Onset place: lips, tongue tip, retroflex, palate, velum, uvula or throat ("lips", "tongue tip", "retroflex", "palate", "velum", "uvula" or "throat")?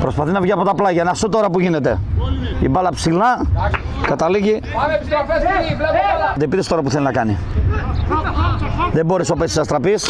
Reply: lips